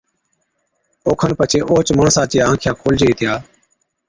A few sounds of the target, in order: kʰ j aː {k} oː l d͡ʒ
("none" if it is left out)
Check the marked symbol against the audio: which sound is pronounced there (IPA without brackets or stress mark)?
kʰ